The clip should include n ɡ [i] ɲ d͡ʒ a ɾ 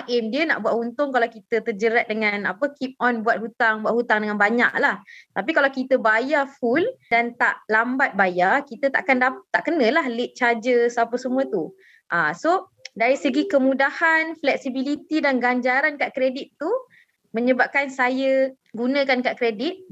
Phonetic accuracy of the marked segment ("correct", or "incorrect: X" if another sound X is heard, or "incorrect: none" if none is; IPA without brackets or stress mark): incorrect: a